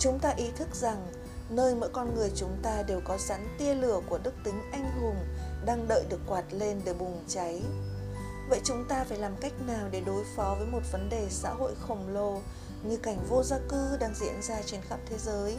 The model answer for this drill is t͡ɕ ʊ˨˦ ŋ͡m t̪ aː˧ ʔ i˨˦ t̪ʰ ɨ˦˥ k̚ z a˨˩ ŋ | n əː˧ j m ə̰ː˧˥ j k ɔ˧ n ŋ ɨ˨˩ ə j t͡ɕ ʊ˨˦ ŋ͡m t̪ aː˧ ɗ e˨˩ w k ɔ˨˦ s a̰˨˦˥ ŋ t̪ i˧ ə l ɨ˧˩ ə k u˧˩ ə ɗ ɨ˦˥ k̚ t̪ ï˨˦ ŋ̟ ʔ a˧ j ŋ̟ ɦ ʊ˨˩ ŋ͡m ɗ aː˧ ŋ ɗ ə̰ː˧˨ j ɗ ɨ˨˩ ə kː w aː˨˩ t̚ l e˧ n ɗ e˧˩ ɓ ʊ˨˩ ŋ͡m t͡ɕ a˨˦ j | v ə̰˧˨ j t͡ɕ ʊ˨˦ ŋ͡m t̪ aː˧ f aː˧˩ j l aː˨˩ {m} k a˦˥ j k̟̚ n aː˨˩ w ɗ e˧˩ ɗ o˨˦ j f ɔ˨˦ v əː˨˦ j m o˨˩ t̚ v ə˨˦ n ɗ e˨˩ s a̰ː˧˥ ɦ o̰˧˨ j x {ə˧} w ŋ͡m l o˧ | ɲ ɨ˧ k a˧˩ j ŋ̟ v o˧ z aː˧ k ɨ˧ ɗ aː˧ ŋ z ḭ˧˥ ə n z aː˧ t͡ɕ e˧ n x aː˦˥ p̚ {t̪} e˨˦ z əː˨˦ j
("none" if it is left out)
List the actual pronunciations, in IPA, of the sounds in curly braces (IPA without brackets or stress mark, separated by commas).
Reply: m, ə˨˩, t̪ʰ